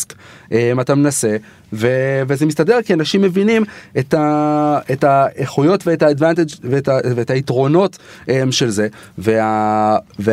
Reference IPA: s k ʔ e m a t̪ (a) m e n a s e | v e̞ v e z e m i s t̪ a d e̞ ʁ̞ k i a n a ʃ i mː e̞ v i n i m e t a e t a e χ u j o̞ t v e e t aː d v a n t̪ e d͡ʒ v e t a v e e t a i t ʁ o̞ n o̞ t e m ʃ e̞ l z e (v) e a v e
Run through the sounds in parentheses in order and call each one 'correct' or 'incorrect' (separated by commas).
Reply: correct, correct